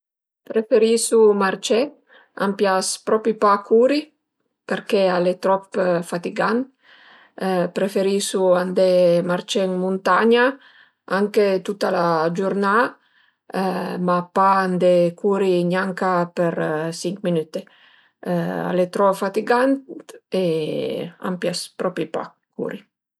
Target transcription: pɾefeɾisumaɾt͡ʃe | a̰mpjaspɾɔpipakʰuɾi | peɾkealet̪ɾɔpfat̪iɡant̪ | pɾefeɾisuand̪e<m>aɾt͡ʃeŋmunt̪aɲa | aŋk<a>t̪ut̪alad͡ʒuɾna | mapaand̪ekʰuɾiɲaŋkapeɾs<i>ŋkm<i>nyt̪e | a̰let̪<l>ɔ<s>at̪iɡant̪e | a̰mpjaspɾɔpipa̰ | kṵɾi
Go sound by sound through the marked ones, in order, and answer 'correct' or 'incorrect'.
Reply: correct, incorrect: e, correct, correct, incorrect: ɾ, incorrect: f

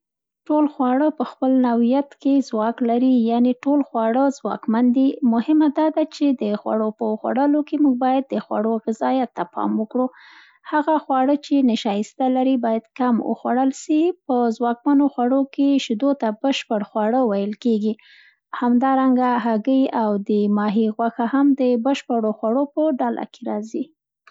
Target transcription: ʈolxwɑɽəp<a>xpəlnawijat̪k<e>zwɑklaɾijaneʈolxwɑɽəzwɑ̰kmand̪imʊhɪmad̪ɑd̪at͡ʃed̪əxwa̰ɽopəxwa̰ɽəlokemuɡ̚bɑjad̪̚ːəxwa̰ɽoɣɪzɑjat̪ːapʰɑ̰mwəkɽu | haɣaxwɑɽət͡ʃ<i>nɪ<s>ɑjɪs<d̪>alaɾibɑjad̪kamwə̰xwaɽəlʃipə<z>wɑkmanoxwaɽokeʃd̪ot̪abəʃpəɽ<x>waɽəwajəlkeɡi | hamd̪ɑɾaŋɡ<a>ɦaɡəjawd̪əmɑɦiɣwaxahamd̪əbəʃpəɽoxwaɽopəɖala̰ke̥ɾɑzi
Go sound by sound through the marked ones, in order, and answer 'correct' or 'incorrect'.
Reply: incorrect: ə, correct, incorrect: e, incorrect: ʃ, incorrect: t̪, correct, correct, correct

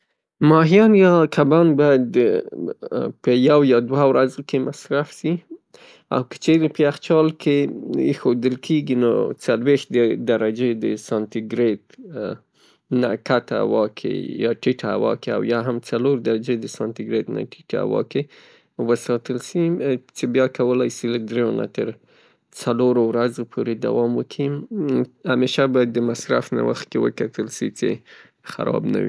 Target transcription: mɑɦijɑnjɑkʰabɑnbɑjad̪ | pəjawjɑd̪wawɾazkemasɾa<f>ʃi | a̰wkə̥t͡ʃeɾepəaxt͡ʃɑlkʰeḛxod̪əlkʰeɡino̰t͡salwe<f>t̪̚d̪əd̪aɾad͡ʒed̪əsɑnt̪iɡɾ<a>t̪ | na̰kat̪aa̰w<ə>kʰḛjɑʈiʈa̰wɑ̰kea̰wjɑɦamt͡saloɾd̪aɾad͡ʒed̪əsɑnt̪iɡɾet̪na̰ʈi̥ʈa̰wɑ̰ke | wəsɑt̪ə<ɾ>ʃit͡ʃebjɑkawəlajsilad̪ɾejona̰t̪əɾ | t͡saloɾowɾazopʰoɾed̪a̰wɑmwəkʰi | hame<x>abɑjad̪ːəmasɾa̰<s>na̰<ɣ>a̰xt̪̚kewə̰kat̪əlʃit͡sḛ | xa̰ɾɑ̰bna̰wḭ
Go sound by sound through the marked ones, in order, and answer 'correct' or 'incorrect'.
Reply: correct, incorrect: x, incorrect: e, incorrect: ɑ, incorrect: l, incorrect: ʃ, incorrect: f, incorrect: w

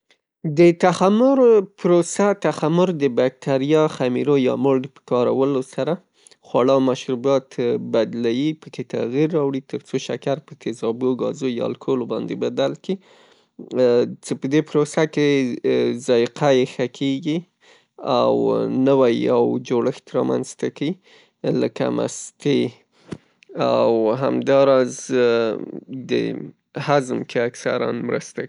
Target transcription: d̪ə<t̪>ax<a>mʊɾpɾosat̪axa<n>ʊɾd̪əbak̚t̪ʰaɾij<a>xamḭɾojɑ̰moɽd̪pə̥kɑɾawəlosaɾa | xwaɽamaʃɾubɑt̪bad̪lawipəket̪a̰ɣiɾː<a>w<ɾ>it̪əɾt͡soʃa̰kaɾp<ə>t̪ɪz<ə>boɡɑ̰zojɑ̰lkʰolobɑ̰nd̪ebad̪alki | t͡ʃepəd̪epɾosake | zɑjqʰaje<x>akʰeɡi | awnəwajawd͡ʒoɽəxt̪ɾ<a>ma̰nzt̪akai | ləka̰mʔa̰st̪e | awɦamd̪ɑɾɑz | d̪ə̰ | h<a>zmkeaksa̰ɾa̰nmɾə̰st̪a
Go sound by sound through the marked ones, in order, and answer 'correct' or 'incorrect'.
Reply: correct, correct, incorrect: m, incorrect: ɑ, incorrect: ɑ, incorrect: ɽ, correct, incorrect: ɑ, correct, incorrect: ɑ, correct

